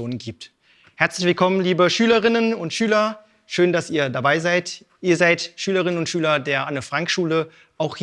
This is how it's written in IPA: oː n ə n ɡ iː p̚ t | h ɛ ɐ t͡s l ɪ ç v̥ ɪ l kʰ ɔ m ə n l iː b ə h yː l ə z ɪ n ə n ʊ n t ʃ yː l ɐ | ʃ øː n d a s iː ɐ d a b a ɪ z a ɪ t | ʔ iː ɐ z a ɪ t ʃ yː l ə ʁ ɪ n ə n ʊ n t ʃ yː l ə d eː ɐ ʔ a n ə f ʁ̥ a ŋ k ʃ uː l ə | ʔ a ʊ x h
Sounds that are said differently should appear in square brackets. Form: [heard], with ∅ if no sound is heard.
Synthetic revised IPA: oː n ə n ɡ iː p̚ t | h ɛ ɐ t͡s l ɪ ç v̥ ɪ l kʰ ɔ m ə n l iː b ə [ʃ] yː l ə [ʁ] ɪ n ə n ʊ n t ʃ yː l ɐ | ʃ øː n d a s iː ɐ d a b a ɪ z a ɪ t | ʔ iː ɐ z a ɪ t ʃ yː l ə ʁ ɪ n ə n ʊ n t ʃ yː l [ɐ] d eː ɐ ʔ a n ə f ʁ̥ a ŋ k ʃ uː l ə | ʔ a ʊ x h